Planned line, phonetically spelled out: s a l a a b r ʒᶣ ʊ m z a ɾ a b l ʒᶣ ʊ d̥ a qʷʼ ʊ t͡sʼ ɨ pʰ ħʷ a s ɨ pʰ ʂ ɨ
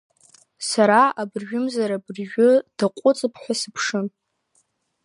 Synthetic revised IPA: s a ɾ a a b r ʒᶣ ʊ m z a ɾ a b r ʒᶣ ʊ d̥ a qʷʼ ʊ t͡sʼ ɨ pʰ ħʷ a s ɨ pʰ ʂ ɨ